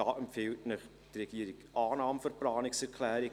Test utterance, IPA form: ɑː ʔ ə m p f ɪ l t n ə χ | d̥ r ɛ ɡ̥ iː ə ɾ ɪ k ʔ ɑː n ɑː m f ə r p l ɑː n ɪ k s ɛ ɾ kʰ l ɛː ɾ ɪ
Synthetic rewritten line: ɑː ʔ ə m p f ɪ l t n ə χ | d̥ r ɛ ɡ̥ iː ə ɾ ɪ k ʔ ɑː n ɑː m f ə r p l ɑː n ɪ k s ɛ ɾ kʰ l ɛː ɾ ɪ